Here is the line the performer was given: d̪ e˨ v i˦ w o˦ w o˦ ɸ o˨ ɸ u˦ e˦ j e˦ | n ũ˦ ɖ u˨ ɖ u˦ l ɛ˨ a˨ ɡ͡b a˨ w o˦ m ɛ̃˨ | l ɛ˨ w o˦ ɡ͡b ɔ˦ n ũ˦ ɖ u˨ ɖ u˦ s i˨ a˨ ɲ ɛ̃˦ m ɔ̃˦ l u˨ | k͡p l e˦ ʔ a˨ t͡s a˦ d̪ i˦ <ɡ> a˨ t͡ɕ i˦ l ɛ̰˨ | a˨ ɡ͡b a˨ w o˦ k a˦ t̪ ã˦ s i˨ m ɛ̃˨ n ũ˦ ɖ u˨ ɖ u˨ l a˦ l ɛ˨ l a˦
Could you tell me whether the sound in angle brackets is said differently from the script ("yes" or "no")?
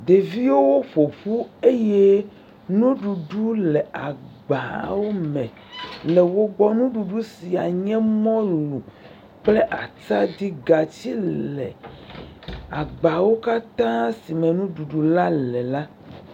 no